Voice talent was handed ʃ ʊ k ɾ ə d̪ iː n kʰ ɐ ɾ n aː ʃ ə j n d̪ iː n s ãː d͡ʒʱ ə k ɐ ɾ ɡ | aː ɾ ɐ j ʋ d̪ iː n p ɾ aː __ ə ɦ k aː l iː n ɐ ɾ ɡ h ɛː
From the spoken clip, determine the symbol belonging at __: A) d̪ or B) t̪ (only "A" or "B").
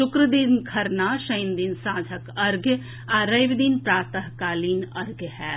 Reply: B